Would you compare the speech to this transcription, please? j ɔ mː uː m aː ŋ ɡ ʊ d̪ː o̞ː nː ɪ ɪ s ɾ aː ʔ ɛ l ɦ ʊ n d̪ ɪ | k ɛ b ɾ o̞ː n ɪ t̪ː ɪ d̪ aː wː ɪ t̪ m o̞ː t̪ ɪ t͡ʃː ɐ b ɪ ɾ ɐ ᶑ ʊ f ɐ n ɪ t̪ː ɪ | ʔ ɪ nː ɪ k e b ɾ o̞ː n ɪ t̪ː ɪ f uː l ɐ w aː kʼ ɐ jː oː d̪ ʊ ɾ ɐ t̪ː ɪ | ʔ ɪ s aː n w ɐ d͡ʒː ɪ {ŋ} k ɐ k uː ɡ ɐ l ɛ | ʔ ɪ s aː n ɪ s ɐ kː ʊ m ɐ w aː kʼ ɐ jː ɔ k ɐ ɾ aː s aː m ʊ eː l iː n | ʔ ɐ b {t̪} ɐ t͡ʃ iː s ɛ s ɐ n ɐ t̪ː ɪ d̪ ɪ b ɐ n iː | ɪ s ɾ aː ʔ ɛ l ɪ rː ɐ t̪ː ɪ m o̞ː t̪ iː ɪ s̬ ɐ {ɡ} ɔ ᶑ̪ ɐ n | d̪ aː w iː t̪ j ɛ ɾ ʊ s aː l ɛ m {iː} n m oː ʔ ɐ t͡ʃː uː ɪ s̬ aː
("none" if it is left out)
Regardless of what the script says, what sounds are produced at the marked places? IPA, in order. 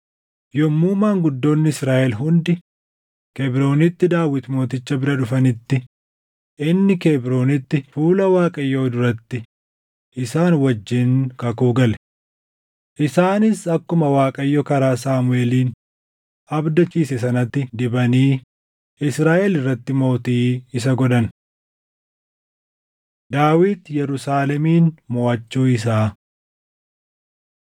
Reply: n, d̪, ɡ, iː

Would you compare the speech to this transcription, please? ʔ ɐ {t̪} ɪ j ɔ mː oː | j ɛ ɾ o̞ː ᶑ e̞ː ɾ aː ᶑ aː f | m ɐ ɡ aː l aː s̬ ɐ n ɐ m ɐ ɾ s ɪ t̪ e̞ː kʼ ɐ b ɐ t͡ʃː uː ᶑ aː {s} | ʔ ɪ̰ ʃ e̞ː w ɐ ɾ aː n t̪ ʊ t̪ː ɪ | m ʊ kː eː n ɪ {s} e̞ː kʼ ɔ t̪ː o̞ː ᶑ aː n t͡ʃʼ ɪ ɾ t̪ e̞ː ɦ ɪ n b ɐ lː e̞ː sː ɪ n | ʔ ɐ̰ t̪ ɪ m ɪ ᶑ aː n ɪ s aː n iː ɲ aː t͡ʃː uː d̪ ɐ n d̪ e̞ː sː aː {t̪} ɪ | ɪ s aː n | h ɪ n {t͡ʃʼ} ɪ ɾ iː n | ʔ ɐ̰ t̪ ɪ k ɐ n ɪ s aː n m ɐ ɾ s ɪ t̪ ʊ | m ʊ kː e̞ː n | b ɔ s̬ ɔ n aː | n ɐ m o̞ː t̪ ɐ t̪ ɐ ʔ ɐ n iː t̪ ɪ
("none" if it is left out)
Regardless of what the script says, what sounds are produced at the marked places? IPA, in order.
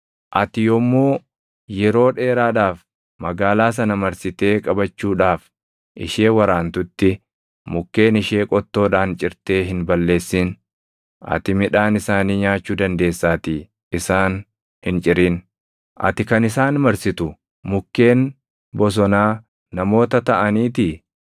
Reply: t̪, f, ʃ, t̪, t͡ʃʼ

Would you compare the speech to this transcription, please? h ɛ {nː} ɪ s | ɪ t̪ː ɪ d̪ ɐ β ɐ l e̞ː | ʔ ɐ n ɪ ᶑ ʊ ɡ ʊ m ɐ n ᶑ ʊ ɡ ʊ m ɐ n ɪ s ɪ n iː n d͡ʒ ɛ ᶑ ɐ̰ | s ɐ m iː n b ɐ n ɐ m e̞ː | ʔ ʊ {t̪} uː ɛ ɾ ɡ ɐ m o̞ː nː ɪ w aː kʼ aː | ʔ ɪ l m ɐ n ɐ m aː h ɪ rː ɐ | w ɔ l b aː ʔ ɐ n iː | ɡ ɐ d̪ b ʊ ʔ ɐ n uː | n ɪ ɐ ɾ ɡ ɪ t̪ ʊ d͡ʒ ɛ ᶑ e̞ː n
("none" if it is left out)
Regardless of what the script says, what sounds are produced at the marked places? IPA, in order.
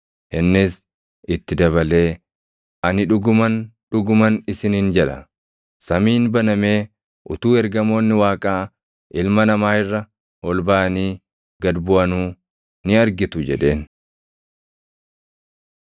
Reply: nː, t̪

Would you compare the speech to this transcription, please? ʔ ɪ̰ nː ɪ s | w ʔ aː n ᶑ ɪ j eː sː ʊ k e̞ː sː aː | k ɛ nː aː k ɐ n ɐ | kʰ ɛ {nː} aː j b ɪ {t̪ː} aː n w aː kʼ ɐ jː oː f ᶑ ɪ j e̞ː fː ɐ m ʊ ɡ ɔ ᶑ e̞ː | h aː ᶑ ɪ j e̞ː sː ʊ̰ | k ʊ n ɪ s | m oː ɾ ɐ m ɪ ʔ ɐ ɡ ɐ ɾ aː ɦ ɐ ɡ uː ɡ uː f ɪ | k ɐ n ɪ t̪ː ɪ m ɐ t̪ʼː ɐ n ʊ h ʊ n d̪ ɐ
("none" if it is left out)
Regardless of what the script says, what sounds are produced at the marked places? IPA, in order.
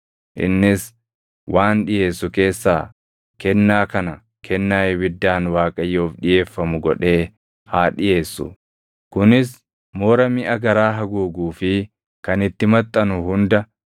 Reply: nː, d̪ː

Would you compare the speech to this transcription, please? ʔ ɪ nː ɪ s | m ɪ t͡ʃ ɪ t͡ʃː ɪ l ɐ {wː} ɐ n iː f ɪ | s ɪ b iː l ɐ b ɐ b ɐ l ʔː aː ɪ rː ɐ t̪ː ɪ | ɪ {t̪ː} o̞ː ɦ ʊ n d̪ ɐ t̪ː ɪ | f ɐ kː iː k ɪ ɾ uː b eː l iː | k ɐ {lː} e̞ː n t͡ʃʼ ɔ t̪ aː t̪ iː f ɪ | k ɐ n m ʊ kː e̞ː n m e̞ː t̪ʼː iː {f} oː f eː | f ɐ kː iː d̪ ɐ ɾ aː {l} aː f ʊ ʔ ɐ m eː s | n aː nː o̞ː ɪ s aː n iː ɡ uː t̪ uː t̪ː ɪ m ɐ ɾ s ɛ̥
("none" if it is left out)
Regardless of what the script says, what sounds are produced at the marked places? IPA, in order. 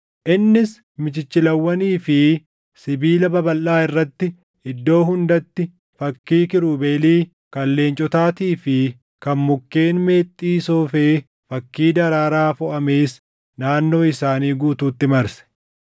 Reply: wː, d̪ː, lː, s, ɾ

